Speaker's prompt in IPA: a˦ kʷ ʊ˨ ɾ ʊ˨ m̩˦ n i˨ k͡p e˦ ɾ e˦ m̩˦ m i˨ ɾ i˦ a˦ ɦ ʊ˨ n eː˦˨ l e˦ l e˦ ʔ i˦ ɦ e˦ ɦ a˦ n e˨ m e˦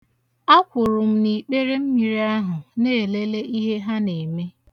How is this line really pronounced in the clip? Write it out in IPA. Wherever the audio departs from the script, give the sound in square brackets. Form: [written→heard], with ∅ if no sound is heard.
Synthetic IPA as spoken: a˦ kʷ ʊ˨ ɾ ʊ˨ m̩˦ n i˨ k͡p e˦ ɾ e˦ m̩˦ m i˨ ɾ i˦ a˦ ɦ ʊ˨ n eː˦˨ l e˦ l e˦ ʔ i˦ ɦ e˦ ɦ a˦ n e˨ m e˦